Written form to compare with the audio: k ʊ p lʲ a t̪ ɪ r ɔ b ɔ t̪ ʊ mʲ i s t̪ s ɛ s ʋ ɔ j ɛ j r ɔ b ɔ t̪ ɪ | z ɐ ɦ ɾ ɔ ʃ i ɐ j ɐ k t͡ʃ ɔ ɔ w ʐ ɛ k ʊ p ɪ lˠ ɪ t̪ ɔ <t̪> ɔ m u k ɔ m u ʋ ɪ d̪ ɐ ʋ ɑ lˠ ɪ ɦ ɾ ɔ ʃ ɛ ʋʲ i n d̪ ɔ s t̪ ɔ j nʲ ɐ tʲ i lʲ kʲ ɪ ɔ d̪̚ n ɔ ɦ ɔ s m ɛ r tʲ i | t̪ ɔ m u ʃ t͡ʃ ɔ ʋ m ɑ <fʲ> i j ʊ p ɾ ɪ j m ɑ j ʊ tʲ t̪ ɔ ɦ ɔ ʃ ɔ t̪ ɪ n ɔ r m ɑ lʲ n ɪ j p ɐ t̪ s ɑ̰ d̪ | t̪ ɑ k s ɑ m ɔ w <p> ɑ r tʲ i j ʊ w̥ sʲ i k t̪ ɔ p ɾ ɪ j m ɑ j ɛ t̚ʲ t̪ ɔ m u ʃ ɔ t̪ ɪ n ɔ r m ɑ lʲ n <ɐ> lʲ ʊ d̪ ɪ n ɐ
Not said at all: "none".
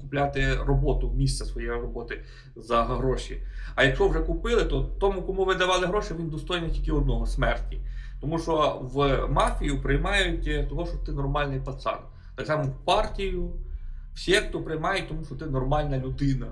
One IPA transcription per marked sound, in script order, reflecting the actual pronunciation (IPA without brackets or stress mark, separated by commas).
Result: t̪, fʲ, p, ɐ